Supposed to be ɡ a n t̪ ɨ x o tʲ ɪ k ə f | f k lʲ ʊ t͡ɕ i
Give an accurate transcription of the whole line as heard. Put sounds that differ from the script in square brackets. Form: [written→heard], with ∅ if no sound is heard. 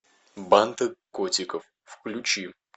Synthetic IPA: [ɡ→b] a n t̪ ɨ [x→k] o tʲ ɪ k ə f | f k lʲ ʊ t͡ɕ i